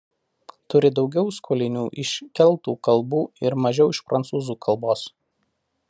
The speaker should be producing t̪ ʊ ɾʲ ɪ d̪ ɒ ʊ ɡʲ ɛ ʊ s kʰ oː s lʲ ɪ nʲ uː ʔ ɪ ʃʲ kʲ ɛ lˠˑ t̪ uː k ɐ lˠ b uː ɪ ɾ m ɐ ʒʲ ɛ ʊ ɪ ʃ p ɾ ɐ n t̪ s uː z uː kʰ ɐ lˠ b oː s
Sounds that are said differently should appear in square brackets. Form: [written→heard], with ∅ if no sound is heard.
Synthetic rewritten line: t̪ ʊ ɾʲ ɪ d̪ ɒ ʊ ɡʲ ɛ ʊ s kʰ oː [s→∅] lʲ ɪ nʲ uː ʔ ɪ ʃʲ kʲ ɛ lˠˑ t̪ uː k ɐ lˠ b uː ɪ ɾ m ɐ ʒʲ ɛ ʊ ɪ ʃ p ɾ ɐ n t̪ s uː z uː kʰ ɐ lˠ b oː s